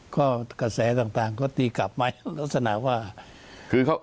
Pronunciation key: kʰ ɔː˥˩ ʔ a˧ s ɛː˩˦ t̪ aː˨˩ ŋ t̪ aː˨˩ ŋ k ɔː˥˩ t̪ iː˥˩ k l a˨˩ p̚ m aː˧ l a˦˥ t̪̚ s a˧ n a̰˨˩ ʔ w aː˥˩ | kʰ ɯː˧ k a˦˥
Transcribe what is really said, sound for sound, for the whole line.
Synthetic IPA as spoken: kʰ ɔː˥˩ k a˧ s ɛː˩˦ t̪ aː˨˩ ŋ t̪ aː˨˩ ŋ k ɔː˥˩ t̪ iː˧ k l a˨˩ p̚ m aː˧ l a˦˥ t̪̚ s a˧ n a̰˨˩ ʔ w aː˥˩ | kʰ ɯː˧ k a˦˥